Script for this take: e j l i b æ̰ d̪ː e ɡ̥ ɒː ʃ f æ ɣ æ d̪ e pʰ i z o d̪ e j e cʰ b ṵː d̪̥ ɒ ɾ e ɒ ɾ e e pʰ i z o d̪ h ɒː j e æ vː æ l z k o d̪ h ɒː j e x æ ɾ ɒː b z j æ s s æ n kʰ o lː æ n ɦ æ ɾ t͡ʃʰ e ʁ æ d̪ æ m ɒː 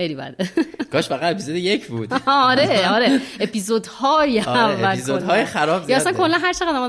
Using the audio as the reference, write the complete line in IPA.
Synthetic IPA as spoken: e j l i b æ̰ d̪ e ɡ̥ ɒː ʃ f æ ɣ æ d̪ e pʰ i z o d̪ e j e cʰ b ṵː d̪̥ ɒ ɾ e ɒ ɾ e e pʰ i z o d̪ h ɒː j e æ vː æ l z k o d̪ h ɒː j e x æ ɾ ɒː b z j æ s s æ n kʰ o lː æ n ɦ æ ɾ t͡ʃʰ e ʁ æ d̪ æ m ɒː